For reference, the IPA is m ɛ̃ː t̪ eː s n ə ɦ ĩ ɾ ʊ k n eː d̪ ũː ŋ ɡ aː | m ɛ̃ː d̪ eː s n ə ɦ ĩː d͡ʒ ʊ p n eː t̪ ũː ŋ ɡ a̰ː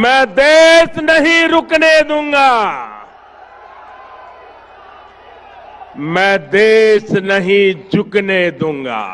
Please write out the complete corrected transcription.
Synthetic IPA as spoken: m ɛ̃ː d̪ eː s n ə ɦ ĩ ɾ ʊ k n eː d̪ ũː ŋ ɡ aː | m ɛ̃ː d̪ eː s n ə ɦ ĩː d͡ʒ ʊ k n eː d̪ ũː ŋ ɡ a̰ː